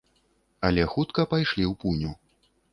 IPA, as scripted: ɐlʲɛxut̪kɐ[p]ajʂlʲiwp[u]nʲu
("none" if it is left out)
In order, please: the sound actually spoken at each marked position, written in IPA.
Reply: p, u

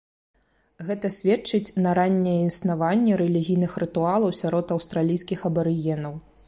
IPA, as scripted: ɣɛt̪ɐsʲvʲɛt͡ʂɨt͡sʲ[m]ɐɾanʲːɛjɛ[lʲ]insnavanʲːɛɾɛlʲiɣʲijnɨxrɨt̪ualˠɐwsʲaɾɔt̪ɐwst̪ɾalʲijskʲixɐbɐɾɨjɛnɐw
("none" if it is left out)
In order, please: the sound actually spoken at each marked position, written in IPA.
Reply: n, none

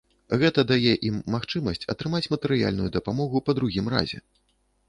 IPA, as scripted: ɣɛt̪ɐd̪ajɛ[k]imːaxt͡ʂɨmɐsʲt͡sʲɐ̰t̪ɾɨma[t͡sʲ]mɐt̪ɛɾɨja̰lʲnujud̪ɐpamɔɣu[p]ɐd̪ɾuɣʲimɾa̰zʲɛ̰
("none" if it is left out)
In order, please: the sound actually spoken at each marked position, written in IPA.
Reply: ʔ, t͡sʲ, p

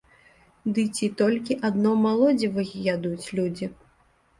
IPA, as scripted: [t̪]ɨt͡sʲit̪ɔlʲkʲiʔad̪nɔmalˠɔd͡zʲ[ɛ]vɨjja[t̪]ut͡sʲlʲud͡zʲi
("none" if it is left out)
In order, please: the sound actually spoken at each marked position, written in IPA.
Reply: d̪, i, d̪

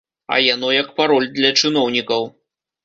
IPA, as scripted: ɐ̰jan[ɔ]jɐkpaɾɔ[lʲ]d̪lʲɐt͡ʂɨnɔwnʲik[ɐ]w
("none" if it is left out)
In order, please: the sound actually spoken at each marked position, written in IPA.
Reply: ɔ, lʲ, ɐ

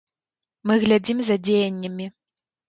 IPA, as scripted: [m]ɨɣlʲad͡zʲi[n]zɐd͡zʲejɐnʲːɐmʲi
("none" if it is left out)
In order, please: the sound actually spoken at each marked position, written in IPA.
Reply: m, m

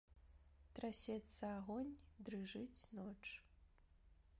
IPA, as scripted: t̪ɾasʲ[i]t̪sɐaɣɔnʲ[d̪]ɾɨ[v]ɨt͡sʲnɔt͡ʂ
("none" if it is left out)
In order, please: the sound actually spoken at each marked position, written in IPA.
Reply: ɛ, d̪, ʐ

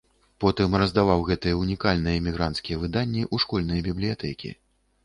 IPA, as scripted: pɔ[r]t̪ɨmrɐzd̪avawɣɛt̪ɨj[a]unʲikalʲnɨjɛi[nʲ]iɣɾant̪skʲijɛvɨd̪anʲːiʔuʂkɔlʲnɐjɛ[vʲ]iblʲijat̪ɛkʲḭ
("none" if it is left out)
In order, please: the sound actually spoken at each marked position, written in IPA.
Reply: none, ɛ, mʲ, bʲ

